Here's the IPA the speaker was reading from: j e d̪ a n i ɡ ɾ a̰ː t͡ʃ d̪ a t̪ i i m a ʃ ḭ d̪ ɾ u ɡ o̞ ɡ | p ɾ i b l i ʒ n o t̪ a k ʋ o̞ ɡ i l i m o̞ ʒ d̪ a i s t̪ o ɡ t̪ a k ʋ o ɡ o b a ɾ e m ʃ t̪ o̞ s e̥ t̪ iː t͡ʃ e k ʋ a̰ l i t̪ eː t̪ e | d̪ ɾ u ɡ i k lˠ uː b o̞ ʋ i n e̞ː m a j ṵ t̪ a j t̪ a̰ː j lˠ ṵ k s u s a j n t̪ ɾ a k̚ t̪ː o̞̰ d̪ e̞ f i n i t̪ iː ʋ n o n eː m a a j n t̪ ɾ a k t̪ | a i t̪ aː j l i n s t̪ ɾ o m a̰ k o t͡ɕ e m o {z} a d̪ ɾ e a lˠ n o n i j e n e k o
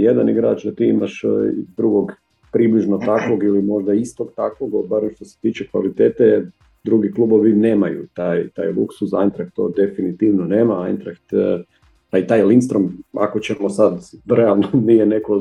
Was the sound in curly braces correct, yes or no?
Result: no